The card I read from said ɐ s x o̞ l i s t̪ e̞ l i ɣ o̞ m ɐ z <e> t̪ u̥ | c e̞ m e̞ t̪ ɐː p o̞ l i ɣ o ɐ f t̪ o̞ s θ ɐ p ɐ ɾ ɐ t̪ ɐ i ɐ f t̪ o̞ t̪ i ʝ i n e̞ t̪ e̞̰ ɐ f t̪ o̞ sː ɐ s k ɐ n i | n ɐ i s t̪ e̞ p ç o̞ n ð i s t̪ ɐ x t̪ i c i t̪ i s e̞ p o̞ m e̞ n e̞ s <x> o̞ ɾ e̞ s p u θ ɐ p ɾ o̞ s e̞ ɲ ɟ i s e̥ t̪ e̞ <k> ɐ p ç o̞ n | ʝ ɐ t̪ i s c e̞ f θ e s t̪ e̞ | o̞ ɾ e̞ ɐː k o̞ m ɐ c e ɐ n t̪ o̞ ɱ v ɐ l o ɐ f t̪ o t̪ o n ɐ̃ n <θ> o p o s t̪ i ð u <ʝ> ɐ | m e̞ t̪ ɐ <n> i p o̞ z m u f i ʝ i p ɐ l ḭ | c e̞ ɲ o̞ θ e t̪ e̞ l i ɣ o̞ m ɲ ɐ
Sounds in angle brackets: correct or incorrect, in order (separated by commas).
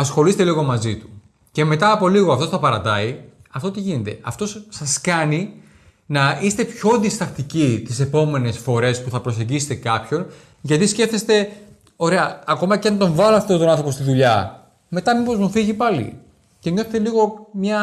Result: incorrect, incorrect, correct, correct, incorrect, incorrect